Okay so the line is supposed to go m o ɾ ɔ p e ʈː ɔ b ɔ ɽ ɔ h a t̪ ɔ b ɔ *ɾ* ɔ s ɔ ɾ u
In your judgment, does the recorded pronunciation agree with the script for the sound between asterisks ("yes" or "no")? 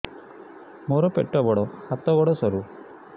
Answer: no